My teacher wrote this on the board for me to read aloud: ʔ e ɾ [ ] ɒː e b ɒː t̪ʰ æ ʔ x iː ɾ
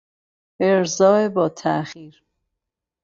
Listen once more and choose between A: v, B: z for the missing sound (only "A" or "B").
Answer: B